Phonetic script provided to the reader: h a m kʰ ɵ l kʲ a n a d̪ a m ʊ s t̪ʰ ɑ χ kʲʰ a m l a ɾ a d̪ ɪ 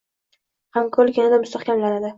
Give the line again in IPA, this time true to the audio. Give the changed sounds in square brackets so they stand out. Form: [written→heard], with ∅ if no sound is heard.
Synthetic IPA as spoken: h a m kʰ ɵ l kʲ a n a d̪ a m ʊ s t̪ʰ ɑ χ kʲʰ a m l a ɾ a d̪ ɪ